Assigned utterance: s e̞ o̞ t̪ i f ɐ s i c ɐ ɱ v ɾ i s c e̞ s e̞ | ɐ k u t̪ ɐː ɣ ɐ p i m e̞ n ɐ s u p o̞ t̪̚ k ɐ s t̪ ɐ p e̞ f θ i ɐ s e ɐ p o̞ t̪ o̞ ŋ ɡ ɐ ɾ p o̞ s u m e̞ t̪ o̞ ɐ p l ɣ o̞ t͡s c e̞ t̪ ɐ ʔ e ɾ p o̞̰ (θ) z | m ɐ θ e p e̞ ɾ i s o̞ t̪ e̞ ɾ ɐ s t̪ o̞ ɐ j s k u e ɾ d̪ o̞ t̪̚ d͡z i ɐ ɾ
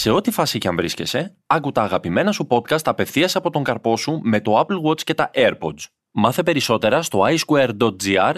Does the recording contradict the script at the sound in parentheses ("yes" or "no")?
yes